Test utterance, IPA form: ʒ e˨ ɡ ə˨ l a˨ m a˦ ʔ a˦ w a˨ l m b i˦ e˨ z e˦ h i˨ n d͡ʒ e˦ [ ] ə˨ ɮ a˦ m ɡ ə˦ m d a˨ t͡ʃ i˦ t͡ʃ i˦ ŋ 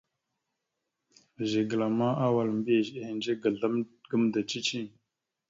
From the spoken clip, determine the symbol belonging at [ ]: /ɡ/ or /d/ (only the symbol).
ɡ